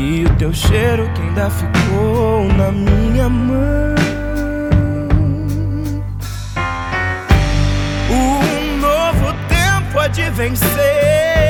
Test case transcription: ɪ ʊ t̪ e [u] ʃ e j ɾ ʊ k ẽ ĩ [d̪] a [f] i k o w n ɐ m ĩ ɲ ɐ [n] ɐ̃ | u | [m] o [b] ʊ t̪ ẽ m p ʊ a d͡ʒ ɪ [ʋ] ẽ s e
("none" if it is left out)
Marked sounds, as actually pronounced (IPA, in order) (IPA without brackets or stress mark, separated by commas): w, d̪, f, m, n, v, v